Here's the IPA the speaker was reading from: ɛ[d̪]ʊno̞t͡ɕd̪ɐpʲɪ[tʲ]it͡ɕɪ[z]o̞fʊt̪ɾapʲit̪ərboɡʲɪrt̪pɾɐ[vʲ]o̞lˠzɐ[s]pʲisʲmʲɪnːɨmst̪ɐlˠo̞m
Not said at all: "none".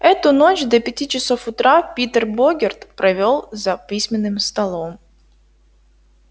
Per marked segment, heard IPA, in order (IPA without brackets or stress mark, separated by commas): t̪, tʲ, s, vʲ, none